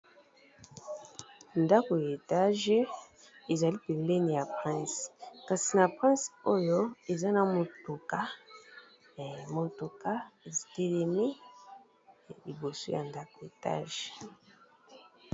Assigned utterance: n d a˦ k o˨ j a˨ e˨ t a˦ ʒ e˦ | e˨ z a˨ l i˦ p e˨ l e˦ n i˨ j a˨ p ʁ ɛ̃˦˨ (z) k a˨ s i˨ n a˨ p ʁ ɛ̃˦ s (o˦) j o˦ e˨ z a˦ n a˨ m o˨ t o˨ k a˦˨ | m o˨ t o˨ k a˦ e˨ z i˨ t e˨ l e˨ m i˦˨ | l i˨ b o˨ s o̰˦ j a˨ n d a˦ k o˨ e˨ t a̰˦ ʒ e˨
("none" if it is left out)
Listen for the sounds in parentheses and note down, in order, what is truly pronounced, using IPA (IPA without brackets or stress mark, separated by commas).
s, o˦